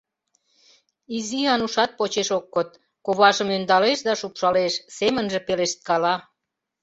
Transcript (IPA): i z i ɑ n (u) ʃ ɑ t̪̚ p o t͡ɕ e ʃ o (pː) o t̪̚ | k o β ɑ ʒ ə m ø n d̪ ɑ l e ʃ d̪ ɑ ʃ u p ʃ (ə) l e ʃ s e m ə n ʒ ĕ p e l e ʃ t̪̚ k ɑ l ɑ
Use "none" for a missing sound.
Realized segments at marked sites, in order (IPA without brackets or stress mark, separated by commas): u, kː, ɑ